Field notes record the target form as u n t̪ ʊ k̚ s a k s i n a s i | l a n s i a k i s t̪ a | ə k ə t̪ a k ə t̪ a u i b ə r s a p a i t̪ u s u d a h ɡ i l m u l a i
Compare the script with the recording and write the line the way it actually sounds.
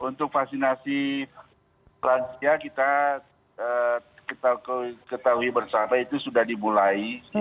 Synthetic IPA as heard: u n t̪ ʊ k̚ f a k s i n a s i | l a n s i a k i t̪ a | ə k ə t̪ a k ə t̪ a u i b ə r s a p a i t̪ u s u d a h d i m u l a i